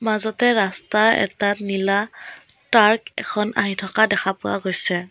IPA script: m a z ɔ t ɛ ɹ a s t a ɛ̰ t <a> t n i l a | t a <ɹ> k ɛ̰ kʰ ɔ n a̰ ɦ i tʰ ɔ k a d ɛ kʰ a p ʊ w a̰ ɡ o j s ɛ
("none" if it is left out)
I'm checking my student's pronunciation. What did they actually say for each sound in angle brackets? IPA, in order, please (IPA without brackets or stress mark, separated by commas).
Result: a, ɹ